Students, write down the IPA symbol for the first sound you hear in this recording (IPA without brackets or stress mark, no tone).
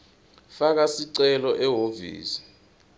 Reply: f